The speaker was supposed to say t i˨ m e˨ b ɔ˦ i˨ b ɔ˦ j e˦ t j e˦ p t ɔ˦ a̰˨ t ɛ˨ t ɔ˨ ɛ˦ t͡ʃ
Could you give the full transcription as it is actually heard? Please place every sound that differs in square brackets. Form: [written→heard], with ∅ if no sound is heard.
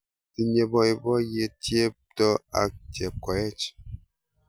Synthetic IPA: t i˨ [m→ɲ] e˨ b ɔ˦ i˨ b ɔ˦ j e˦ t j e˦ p t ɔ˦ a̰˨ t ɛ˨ [t→k] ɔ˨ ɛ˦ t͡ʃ